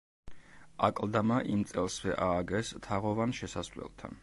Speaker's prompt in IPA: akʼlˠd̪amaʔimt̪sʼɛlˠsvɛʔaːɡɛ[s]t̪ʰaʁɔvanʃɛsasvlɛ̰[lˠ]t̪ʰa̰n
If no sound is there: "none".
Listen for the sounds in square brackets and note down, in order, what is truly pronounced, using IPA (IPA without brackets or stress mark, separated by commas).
s, lˠ